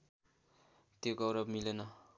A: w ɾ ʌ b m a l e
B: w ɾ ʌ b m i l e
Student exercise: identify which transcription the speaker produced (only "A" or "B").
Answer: B